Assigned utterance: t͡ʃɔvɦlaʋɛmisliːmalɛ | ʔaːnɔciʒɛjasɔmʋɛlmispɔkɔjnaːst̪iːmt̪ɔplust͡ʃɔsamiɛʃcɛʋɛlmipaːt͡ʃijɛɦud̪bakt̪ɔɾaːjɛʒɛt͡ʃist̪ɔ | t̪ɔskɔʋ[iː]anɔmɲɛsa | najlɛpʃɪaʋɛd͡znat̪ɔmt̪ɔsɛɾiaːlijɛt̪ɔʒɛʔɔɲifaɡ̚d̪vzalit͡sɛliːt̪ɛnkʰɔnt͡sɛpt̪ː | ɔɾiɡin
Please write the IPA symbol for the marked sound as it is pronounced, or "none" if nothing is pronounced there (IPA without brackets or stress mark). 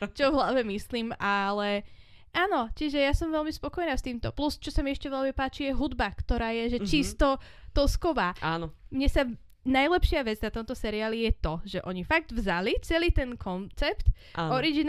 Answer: aː